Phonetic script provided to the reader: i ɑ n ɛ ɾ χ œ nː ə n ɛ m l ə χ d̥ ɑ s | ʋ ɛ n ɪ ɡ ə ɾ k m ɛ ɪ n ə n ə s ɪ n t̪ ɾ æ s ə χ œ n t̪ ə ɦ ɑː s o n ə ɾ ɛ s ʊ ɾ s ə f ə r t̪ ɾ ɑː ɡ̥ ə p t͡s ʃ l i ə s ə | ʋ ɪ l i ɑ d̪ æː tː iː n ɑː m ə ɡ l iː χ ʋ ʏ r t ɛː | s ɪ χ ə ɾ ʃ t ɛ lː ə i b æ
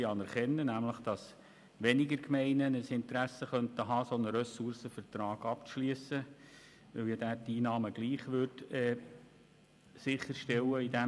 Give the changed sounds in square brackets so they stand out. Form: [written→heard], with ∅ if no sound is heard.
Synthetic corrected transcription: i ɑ n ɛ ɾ χ [œ→ɛ] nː ə n [ɛ→æ] m l ə χ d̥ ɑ s | ʋ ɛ n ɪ ɡ ə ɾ k m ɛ ɪ n ə n ə s ɪ n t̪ ɾ æ s ə χ œ n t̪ ə ɦ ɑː s o n ə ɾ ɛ s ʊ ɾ s ə f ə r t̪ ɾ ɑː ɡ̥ [ə→ɑ] p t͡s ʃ l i ə s ə | ʋ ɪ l [i→j] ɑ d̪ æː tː iː n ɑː m ə ɡ l iː χ ʋ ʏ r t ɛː | s ɪ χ ə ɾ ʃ t ɛ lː ə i [b→d] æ